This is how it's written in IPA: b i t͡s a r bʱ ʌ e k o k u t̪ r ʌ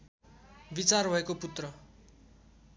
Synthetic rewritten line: b i t͡s a r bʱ ʌ e k o p u t̪ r ʌ